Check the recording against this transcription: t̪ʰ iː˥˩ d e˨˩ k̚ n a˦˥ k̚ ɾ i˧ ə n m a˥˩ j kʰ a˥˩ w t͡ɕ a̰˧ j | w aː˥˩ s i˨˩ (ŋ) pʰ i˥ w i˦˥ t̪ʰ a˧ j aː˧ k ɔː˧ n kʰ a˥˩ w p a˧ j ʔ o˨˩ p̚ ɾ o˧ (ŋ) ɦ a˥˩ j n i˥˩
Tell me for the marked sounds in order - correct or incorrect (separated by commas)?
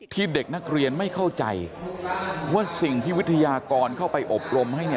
correct, incorrect